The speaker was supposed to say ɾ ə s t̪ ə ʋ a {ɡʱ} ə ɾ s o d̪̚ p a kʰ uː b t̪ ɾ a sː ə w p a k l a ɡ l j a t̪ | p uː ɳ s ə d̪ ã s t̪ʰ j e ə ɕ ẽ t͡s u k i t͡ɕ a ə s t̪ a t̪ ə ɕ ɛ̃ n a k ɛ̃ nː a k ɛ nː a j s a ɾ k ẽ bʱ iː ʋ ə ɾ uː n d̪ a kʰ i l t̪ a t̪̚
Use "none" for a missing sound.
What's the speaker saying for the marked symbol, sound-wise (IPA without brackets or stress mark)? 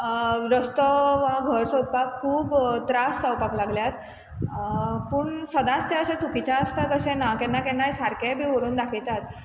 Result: ɡʱ